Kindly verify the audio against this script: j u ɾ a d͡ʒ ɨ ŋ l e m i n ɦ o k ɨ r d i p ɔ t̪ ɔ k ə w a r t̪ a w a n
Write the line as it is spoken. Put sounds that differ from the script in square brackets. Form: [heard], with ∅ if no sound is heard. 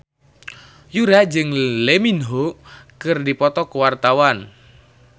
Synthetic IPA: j u ɾ a d͡ʒ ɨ ŋ l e m i n ɦ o k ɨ r d i p ɔ t̪ ɔ k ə w a r t̪ a w a n